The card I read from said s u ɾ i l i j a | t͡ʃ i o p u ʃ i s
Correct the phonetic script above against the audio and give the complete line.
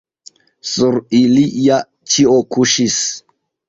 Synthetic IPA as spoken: s u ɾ i l i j a | t͡ʃ i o k u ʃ i s